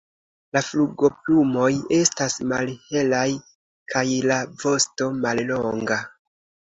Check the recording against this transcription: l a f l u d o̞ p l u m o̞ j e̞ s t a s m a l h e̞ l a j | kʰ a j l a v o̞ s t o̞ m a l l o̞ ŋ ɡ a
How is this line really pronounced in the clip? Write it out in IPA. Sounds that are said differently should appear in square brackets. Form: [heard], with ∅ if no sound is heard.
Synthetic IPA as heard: l a f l u [ɡ] o̞ p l u m o̞ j e̞ s t a s m a l h e̞ l a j | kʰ a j l a v o̞ s t o̞ m a l l o̞ ŋ ɡ a